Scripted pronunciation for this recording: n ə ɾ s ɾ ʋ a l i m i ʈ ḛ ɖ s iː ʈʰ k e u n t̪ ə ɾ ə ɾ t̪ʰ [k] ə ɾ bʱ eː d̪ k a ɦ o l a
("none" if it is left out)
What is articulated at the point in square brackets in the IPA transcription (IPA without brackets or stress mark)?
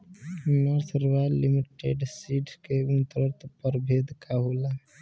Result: p